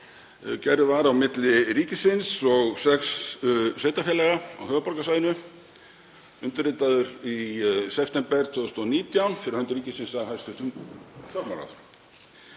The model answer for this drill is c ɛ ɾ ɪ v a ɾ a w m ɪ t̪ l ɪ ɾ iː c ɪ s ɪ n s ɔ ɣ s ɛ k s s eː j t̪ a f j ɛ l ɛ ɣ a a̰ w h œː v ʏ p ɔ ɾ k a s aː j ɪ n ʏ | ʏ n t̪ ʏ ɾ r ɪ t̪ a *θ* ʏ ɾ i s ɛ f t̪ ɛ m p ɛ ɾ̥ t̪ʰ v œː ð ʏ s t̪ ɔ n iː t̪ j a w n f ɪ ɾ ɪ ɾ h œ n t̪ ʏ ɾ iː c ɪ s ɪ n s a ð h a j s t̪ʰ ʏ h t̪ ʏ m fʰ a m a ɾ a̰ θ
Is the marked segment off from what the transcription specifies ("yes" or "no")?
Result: yes